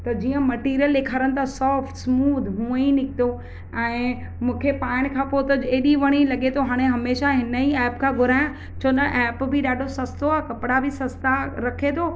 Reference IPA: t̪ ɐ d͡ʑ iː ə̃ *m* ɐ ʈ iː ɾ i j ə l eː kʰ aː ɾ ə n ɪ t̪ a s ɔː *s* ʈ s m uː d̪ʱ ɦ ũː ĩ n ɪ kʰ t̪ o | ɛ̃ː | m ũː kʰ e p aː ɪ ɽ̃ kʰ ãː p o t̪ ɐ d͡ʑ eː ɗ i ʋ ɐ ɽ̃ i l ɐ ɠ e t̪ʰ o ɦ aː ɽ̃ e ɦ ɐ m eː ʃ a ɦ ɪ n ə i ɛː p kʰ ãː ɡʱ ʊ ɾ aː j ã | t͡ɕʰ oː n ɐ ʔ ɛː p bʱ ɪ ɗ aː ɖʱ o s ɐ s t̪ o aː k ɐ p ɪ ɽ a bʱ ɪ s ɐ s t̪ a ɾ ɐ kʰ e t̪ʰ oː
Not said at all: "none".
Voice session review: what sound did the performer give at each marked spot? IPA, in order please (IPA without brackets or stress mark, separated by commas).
m, f